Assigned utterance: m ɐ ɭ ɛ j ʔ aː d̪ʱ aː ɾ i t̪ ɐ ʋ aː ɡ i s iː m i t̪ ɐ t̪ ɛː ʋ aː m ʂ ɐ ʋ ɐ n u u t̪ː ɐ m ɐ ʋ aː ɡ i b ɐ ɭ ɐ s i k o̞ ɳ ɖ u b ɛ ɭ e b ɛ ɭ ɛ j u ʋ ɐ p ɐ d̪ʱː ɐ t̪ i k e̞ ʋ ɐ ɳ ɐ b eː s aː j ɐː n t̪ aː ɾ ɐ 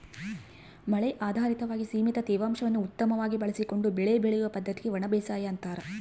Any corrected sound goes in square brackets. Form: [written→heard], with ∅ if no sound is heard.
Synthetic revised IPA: m ɐ ɭ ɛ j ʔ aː d̪ʱ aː ɾ i t̪ ɐ ʋ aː ɡ i s iː m i t̪ ɐ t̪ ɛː ʋ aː m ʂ ɐ ʋ ɐ [n→nː] u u t̪ː ɐ m ɐ ʋ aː ɡ i b ɐ ɭ ɐ s i k o̞ ɳ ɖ u b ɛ ɭ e b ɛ ɭ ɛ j u ʋ ɐ p ɐ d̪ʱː ɐ t̪ i [k→ɡ] e̞ ʋ ɐ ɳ ɐ b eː s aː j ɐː n t̪ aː ɾ ɐ